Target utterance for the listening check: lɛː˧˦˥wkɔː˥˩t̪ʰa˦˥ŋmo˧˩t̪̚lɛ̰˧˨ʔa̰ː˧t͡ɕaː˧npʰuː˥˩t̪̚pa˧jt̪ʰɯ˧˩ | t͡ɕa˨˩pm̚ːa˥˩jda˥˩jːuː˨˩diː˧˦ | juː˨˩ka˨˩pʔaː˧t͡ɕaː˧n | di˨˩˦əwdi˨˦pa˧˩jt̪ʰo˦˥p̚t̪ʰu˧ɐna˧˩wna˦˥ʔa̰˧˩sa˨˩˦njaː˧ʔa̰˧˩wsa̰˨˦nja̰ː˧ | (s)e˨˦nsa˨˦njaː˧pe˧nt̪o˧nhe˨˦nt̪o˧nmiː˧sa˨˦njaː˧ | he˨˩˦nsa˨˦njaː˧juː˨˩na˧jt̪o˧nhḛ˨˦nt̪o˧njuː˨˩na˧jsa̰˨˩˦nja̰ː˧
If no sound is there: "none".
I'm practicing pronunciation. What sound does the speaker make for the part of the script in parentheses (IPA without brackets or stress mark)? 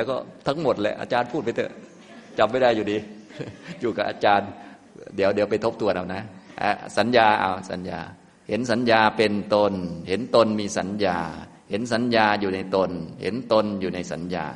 h